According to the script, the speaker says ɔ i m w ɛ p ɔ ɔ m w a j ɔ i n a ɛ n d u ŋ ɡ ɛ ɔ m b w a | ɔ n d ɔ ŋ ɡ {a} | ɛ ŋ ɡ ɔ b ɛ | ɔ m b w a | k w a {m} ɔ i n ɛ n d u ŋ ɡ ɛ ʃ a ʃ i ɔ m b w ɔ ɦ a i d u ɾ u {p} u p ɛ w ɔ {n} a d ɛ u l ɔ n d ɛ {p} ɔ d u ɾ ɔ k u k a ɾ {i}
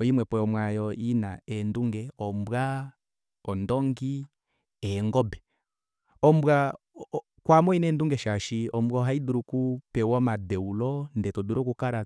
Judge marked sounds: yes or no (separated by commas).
no, yes, no, no, no, no